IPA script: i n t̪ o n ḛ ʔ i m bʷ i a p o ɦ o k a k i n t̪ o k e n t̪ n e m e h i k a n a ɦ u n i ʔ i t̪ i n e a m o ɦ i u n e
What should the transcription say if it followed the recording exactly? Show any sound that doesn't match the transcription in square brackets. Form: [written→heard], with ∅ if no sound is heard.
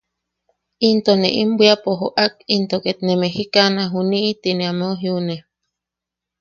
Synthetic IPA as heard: i n t̪ o n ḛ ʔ i m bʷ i a p o ɦ o [k→ʔ] a k i n t̪ o k e [n→∅] t̪ n e m e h i k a n a ɦ u n i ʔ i t̪ i n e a m o ɦ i u n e